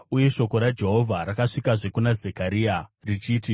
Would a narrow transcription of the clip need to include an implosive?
no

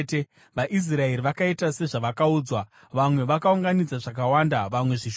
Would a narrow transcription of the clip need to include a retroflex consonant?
yes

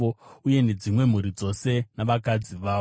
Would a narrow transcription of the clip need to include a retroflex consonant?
no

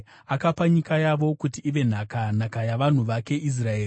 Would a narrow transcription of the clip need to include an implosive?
no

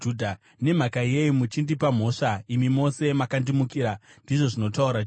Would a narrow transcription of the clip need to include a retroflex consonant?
yes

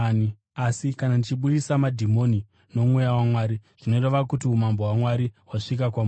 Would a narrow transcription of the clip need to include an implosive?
yes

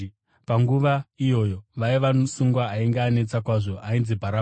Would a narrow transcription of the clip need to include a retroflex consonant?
yes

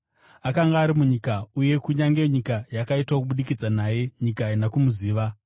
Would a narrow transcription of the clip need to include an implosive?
yes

